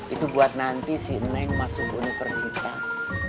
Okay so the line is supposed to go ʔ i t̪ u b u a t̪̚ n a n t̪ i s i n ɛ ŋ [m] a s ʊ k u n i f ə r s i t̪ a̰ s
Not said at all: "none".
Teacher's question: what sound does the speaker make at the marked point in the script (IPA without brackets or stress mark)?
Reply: m